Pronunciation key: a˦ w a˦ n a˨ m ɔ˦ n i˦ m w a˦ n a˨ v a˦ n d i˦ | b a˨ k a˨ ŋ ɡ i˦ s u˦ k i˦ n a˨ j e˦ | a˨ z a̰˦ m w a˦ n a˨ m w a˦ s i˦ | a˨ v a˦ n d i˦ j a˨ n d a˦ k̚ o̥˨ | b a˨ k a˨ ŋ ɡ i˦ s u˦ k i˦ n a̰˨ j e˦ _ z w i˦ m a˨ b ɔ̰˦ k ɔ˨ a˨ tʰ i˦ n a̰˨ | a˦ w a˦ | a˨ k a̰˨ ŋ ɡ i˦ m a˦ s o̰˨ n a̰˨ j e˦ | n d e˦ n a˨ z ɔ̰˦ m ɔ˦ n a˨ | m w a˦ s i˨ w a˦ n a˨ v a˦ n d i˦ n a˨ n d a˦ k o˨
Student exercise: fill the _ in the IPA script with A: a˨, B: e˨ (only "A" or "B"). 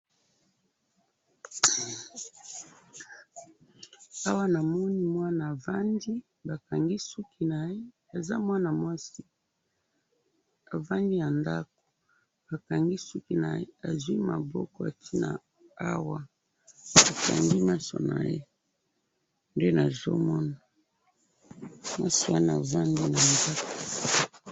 A